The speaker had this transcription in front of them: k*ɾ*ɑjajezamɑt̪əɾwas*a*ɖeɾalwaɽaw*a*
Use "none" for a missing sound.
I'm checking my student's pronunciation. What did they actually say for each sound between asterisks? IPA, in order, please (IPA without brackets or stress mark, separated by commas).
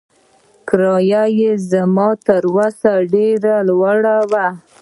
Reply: ɾ, a, a